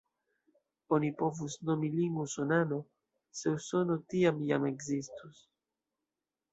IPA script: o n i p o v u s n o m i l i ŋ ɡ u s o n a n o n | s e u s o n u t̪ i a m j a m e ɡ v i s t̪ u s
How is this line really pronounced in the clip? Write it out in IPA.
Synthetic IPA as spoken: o n i p o v u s n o m i l i ŋ ɡ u s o n a n o | s e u s o n o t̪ i a m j a m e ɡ z i s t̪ u s